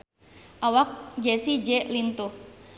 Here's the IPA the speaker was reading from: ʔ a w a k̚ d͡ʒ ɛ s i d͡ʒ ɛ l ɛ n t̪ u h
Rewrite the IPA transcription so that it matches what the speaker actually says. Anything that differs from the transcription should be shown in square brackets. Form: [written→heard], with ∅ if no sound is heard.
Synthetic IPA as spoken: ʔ a w a k̚ d͡ʒ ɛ s i d͡ʒ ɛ l [ɛ→i] n t̪ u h